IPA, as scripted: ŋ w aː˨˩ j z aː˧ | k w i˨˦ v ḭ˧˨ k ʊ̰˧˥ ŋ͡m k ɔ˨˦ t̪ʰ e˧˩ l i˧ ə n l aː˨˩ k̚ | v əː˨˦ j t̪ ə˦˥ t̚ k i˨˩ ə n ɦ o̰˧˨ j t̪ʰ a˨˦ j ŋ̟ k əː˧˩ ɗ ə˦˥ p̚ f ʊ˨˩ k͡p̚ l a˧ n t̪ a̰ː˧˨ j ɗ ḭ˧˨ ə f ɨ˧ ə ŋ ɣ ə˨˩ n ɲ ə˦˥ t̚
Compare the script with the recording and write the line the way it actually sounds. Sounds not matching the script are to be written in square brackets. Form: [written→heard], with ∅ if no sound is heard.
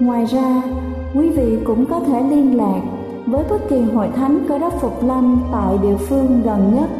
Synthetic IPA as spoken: ŋ w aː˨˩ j z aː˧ | k w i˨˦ v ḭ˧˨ k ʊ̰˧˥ ŋ͡m k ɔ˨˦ t̪ʰ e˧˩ l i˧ ə n l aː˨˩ k̚ | v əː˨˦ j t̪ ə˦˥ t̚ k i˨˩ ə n ɦ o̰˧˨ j t̪ʰ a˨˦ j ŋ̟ k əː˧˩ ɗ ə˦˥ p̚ f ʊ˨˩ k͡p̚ l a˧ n t̪ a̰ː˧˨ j ɗ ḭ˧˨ ə f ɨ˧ ə ŋ ɣ ə˨˩ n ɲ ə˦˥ t̚